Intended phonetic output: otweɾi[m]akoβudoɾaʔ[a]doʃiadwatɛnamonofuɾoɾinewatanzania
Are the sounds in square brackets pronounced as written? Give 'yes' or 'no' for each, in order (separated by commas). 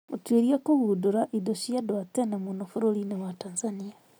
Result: no, no